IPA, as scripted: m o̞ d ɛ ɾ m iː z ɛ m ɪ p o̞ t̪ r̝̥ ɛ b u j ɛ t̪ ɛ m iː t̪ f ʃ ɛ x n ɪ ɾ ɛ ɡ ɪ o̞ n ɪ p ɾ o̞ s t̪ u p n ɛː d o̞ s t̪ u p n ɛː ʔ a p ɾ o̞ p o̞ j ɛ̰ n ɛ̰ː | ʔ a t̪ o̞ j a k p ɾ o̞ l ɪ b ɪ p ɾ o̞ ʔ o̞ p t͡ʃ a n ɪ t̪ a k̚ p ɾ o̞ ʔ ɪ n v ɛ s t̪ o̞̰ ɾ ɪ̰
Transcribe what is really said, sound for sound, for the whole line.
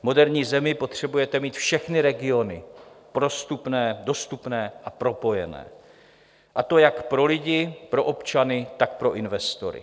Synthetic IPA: m o̞ d ɛ ɾ ɲ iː z ɛ m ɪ p o̞ t̪ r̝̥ ɛ b u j ɛ t̪ ɛ m iː t̪ f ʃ ɛ x n ɪ ɾ ɛ ɡ ɪ o̞ n ɪ p ɾ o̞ s t̪ u p n ɛː d o̞ s t̪ u p n ɛː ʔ a p ɾ o̞ p o̞ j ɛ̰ n ɛ̰ː | ʔ a t̪ o̞ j a k p ɾ o̞ l ɪ ɟ ɪ p ɾ o̞ ʔ o̞ p t͡ʃ a n ɪ t̪ a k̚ p ɾ o̞ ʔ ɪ n v ɛ s t̪ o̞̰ ɾ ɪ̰